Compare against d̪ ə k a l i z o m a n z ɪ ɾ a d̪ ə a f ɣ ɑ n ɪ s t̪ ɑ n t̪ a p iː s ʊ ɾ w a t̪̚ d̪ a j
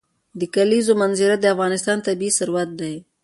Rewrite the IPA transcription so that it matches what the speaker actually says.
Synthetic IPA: d̪ ə k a l i z o m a n z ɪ ɾ a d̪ ə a f ɣ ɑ n ɪ s t̪ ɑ n t̪ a b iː s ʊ ɾ w a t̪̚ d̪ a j